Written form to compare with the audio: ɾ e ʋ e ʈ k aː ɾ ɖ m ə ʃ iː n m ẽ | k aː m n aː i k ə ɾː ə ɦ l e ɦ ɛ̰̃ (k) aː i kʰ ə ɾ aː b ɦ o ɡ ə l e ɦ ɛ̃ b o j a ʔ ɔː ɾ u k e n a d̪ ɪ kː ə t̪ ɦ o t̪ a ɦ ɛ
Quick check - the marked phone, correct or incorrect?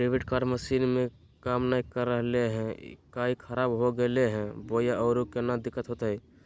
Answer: correct